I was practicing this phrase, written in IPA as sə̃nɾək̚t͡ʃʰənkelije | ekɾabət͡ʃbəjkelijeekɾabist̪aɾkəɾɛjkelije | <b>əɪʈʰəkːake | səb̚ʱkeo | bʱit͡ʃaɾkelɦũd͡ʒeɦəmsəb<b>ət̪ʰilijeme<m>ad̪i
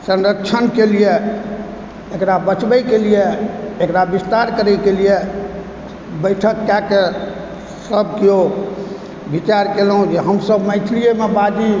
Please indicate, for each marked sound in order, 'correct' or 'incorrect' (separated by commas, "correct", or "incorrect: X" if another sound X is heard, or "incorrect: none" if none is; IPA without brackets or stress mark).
correct, incorrect: m, incorrect: b